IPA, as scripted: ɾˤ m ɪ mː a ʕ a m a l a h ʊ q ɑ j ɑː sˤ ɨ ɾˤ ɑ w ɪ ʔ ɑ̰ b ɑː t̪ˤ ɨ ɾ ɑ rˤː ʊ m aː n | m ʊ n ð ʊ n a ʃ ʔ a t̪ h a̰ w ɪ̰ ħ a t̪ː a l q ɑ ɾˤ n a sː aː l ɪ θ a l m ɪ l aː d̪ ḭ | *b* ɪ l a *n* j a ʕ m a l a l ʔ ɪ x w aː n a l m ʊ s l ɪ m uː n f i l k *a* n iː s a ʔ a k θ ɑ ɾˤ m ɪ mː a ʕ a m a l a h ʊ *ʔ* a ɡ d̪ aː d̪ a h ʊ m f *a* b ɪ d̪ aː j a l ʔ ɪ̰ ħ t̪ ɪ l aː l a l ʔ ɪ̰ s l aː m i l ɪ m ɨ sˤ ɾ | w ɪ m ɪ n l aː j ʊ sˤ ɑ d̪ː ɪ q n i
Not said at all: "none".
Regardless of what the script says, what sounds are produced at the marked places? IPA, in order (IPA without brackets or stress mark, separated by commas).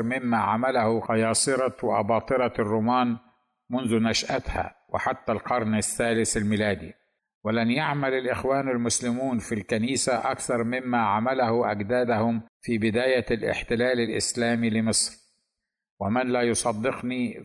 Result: w, n, a, ʔ, i